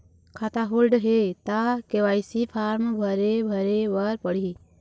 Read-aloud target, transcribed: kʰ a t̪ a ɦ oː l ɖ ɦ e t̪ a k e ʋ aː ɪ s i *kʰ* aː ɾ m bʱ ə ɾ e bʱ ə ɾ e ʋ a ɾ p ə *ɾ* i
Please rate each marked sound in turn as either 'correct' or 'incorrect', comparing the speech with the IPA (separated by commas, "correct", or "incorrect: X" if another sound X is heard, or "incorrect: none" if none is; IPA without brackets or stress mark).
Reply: incorrect: pʰ, incorrect: ɽ